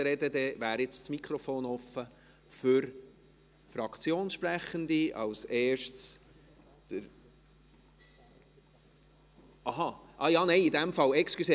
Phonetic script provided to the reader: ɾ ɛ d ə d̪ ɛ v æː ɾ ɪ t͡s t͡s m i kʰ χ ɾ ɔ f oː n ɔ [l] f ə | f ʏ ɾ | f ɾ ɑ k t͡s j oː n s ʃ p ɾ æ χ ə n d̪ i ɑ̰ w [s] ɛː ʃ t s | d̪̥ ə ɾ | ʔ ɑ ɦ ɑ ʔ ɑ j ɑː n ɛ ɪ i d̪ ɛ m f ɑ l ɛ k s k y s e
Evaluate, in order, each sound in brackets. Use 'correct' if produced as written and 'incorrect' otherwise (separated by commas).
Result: incorrect, correct